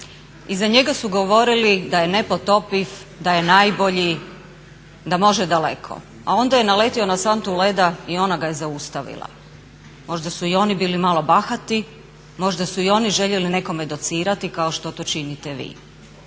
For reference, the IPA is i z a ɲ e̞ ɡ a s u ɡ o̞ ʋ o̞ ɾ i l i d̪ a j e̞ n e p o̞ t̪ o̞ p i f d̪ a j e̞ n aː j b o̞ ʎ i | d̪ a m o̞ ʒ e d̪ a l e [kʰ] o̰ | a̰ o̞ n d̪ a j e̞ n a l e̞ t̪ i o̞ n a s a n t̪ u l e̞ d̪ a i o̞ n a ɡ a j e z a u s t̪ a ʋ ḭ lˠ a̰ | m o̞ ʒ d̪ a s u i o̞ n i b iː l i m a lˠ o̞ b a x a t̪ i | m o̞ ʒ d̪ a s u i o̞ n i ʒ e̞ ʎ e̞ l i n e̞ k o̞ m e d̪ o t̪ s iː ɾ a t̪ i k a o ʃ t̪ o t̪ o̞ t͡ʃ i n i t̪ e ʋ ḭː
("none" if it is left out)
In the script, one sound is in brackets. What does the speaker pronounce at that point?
kʰ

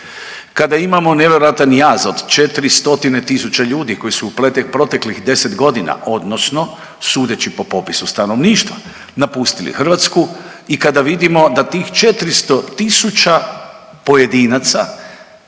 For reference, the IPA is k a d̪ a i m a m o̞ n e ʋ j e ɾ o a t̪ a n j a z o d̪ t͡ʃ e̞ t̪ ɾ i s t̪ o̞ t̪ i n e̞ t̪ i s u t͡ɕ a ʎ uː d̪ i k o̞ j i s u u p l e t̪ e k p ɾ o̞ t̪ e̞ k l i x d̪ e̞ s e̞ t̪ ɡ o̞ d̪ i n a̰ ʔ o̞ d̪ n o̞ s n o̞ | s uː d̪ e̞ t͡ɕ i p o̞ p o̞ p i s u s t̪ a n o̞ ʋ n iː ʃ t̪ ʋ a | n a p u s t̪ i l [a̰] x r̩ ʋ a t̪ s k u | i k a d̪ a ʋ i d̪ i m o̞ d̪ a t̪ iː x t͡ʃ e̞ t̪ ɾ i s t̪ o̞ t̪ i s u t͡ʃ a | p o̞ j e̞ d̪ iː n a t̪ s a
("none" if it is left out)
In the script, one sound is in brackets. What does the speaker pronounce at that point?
ḭ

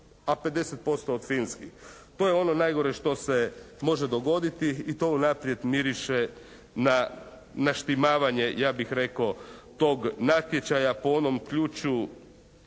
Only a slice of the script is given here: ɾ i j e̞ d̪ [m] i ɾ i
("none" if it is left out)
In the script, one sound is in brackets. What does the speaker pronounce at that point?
m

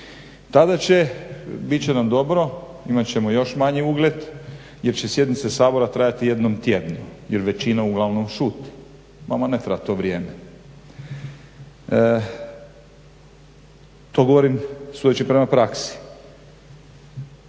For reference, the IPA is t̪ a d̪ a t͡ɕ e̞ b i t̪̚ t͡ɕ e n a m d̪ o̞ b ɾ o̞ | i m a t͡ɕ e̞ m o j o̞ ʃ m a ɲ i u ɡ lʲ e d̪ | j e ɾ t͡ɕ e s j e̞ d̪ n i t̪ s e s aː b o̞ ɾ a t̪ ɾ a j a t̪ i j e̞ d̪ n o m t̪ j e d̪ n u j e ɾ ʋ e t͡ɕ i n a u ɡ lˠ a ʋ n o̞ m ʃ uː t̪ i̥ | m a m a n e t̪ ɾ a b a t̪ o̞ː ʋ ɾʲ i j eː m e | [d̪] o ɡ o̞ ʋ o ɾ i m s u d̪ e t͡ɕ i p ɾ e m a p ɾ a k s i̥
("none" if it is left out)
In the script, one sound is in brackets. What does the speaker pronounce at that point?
t̪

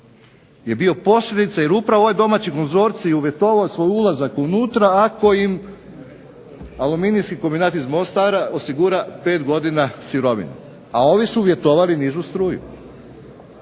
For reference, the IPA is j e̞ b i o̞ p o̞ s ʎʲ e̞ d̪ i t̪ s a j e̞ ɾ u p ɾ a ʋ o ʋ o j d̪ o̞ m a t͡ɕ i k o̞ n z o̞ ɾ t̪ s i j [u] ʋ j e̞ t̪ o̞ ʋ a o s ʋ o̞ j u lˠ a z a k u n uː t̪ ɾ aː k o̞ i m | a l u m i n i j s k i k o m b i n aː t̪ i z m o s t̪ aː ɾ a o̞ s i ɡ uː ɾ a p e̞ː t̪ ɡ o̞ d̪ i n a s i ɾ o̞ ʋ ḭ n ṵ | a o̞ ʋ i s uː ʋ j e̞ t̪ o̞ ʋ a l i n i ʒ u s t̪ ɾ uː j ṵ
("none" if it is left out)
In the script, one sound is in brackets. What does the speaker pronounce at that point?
u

